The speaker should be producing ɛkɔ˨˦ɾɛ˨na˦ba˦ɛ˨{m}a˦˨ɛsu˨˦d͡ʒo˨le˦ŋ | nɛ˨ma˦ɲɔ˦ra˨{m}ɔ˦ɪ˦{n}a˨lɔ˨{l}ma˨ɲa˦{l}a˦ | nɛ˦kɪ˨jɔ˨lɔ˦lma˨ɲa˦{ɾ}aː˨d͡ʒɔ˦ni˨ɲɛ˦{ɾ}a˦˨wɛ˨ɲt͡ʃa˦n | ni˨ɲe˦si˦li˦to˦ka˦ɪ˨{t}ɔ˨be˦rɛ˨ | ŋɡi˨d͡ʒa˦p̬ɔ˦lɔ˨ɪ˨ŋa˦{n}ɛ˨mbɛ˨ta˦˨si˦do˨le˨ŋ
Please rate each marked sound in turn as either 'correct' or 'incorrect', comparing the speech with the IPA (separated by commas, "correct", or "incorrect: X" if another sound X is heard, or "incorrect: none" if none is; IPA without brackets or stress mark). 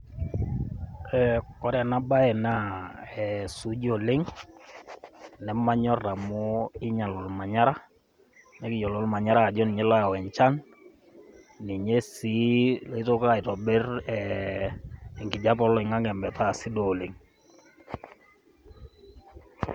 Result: incorrect: n, correct, incorrect: ɲ, correct, incorrect: ɾ, correct, incorrect: l, correct, incorrect: ŋ